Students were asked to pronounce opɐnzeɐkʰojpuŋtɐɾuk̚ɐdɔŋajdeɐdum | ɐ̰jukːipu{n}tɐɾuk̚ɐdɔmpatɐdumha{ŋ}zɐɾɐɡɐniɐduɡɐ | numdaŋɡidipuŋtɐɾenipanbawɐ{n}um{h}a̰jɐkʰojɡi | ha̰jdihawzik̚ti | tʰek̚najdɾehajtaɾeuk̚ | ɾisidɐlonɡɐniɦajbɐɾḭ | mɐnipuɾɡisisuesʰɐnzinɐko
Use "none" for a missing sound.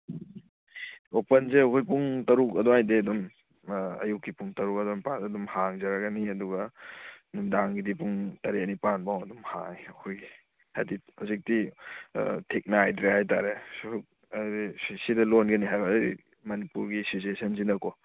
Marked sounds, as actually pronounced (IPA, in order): ŋ, ŋ, d, h

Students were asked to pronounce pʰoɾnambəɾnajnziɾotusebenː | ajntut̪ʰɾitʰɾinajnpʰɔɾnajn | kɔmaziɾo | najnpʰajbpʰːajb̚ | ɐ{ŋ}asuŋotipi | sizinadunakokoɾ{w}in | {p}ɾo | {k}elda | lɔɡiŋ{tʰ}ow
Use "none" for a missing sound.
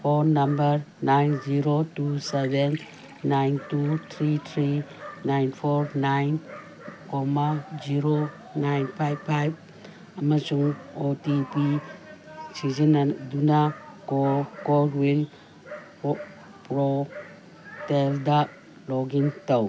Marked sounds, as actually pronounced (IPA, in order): m, w, p, t, t

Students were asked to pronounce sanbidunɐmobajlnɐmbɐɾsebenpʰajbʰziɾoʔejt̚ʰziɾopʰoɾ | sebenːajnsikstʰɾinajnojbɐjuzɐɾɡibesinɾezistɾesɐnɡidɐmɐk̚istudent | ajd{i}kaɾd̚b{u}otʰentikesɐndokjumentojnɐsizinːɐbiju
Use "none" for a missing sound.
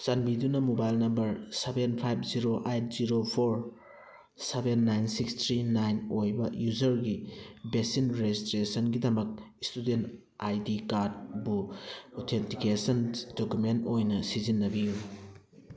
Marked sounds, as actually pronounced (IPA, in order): i, u

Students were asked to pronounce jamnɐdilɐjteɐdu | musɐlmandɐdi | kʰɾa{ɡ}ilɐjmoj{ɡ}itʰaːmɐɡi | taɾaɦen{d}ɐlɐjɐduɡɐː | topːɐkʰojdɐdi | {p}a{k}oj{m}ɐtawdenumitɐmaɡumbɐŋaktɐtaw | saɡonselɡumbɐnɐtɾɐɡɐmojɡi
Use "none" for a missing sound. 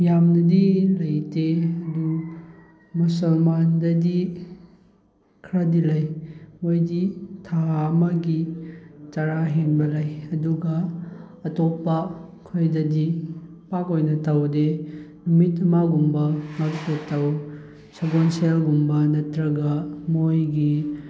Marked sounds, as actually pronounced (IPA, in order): d, d, b, p, k, n

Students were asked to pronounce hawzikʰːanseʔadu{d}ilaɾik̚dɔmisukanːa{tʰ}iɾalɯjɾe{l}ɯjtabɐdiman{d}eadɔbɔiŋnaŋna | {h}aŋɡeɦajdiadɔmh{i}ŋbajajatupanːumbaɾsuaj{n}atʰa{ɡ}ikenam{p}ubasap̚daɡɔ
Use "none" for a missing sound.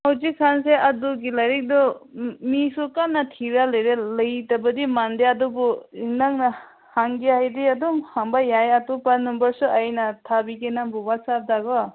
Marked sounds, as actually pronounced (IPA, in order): ɡ, tʰ, l, d, h, a, n, b, b

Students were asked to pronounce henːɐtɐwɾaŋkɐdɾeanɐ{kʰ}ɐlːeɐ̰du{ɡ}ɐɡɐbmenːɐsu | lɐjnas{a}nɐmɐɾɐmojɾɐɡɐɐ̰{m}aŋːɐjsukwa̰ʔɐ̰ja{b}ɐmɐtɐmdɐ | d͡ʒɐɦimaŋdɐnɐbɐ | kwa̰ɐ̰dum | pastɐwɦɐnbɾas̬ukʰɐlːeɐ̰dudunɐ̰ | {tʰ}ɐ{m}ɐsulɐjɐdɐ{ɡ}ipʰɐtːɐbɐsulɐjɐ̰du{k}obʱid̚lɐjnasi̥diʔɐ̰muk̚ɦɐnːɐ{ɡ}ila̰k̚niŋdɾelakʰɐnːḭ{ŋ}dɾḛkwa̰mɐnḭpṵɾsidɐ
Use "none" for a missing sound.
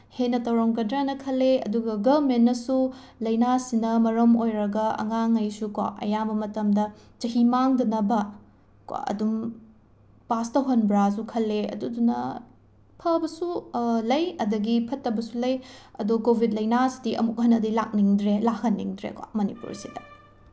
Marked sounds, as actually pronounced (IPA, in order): kʰ, ɡ, i, ŋ, b, pʰ, b, ɡ, k, d, ŋ

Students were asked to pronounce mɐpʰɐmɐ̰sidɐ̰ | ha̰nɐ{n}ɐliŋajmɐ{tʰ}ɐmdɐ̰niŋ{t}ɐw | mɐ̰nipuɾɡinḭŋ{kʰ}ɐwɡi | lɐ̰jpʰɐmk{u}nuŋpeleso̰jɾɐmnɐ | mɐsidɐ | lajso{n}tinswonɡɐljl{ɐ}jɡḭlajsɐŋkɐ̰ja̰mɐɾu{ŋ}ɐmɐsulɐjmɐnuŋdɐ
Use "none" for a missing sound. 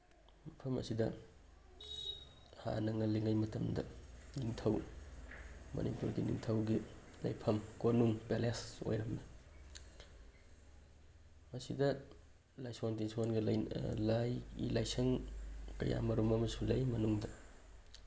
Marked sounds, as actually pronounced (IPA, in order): ŋ, t, tʰ, tʰ, o, n, a, m

